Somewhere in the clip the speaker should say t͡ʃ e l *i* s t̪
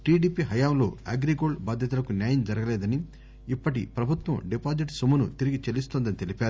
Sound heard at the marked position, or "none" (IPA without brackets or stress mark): i